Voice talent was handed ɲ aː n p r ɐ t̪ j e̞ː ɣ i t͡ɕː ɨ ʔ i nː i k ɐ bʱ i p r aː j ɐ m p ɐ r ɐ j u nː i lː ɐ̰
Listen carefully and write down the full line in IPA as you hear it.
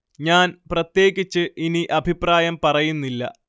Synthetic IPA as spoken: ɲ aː n p r ɐ t̪ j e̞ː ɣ i t͡ɕː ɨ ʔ i n i ʔ ɐ bʱ i p r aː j ɐ m p ɐ r ɐ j u nː i lː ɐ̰